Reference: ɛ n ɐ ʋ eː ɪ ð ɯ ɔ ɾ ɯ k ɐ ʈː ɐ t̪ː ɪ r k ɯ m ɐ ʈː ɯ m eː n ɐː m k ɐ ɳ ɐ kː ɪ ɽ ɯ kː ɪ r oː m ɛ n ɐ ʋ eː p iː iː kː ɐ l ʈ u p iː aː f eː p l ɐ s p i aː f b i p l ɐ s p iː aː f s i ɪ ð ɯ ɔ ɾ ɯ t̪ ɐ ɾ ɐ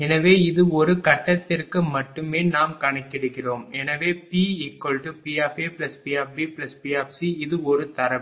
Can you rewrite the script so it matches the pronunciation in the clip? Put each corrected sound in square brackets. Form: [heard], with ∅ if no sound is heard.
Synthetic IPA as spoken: ɛ n ɐ ʋ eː ɪ ð ɯ ɔ ɾ ɯ k ɐ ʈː ɐ t̪ː ɪ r k ɯ m ɐ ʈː ɯ m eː n [aː] m k ɐ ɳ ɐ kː ɪ ɽ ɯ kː ɪ r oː m ɛ n ɐ ʋ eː p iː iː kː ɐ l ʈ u p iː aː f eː p l ɐ s p i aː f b i p l ɐ s p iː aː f s i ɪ ð ɯ ɔ ɾ ɯ t̪ ɐ ɾ ɐ